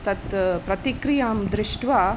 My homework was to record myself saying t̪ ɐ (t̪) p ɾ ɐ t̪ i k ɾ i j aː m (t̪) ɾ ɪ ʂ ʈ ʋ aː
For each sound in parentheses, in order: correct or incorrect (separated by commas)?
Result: correct, incorrect